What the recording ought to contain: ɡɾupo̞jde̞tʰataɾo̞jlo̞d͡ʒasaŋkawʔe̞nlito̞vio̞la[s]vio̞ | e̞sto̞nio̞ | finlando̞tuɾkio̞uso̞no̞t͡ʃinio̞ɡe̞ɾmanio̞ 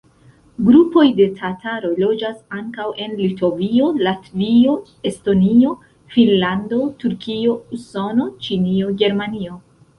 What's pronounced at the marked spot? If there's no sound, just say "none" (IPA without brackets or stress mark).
t